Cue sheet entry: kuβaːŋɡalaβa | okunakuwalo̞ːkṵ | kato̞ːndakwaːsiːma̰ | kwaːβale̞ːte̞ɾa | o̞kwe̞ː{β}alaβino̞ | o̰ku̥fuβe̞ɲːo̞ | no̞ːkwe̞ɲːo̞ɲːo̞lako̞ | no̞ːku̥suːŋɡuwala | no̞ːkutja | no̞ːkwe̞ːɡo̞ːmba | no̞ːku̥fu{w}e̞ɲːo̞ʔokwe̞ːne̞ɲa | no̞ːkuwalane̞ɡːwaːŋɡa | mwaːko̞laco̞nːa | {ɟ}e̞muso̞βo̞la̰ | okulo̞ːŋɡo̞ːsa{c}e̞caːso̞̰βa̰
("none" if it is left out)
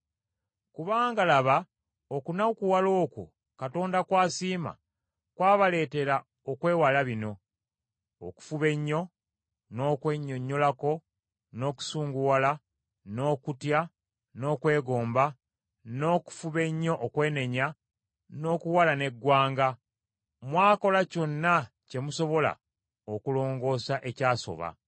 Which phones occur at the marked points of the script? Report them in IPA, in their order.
w, β, c, ʔ

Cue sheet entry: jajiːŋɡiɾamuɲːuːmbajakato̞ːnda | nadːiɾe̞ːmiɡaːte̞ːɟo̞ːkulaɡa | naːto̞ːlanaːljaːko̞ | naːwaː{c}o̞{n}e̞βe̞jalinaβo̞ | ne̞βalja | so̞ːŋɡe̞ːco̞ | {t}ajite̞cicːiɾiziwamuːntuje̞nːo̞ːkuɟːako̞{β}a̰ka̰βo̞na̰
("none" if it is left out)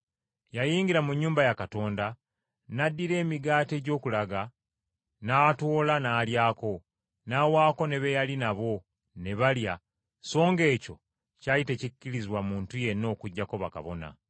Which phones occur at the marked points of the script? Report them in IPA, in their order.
k, n, c, β

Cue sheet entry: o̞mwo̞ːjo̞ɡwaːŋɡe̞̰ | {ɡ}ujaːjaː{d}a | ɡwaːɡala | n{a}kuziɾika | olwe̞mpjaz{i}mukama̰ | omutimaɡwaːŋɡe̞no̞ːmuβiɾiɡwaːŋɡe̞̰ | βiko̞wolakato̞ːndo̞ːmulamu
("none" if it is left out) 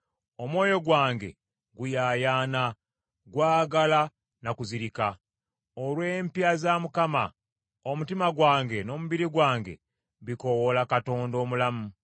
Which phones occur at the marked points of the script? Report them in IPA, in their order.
ɡ, n, a, a

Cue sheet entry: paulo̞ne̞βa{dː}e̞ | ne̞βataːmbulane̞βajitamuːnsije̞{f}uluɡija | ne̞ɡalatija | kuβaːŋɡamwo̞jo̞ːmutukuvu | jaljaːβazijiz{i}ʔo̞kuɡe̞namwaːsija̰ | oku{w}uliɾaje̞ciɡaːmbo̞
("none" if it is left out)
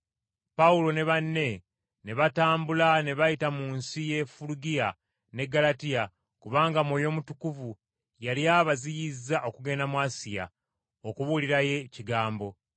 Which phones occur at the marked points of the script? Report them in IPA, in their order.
nː, f, a, β

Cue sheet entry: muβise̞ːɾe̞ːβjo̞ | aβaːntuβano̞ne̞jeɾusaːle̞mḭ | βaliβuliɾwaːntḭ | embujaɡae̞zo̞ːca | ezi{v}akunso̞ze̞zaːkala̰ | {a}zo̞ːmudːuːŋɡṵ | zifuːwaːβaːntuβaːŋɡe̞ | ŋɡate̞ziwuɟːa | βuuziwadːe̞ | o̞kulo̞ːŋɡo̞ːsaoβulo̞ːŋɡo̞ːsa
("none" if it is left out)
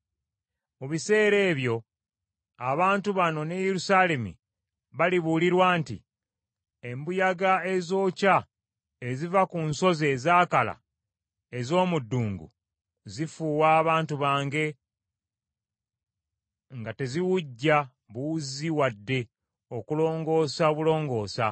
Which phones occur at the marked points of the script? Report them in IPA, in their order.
v, e

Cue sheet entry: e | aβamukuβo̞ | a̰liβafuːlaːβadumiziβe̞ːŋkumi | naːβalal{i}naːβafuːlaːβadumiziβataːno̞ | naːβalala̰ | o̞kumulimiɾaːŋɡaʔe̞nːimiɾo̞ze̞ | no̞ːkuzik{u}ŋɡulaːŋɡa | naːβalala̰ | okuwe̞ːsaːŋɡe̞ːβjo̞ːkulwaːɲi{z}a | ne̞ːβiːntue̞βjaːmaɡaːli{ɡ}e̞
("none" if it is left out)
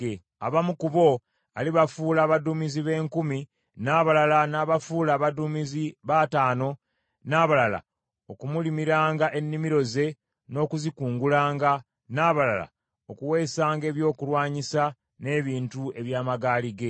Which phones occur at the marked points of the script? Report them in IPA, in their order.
a, uː, s, ɡ

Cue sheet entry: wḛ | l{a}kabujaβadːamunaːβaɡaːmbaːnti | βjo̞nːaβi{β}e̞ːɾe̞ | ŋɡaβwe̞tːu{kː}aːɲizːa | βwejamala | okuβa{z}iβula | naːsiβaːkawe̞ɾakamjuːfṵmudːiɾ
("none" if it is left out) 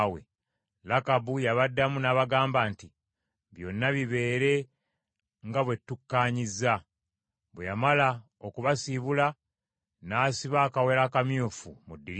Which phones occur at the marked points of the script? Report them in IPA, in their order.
a, β, kː, s

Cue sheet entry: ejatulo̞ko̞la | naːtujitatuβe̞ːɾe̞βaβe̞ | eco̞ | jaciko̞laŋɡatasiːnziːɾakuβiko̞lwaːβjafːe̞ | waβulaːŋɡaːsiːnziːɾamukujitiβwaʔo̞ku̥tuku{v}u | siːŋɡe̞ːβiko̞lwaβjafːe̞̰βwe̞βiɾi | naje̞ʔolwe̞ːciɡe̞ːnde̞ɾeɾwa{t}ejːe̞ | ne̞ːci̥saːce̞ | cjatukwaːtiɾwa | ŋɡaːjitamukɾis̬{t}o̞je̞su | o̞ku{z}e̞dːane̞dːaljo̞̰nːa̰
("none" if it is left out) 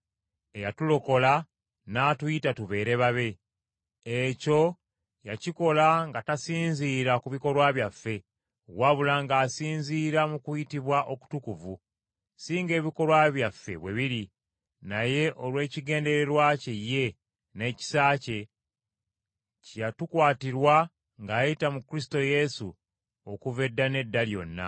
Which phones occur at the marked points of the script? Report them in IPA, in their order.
v, c, t, v

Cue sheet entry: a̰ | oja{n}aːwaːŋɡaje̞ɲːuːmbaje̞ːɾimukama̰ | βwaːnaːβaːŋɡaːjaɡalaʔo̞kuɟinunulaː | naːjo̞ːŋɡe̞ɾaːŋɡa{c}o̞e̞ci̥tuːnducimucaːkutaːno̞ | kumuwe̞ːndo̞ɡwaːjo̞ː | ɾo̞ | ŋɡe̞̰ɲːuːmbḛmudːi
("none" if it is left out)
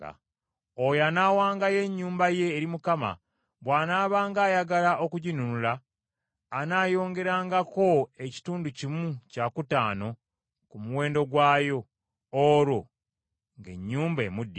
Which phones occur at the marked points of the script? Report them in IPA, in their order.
n, k

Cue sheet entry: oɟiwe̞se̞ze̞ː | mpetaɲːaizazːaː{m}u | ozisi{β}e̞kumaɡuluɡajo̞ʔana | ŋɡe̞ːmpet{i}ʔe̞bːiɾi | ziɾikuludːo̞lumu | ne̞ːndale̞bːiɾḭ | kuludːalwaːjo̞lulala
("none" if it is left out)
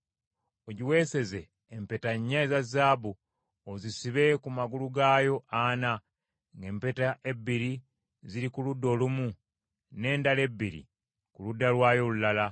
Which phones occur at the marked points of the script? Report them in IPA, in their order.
b, β, a

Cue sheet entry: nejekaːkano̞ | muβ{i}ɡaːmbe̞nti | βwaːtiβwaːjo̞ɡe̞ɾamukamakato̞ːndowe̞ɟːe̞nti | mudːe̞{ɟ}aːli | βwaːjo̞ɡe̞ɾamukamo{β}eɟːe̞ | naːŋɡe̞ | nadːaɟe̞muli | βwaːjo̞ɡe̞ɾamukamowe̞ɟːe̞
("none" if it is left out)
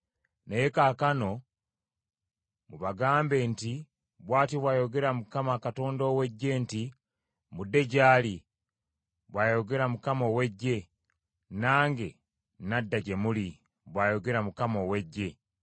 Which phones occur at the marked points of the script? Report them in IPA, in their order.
a, ɟ, w

